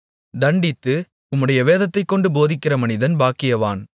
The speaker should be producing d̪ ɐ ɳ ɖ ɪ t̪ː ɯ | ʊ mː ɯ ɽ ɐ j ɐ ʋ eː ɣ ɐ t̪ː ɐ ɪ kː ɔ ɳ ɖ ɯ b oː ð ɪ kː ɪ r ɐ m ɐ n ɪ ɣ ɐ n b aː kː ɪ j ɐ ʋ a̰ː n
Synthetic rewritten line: d̪ ɐ ɳ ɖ ɪ t̪ː ɯ | ʊ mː ɯ ɽ ɐ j ɐ ʋ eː ð ɐ t̪ː ɐ ɪ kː ɔ ɳ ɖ ɯ b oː ð ɪ kː ɪ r ɐ m ɐ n ɪ ð ɐ n b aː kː ɪ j ɐ ʋ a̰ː n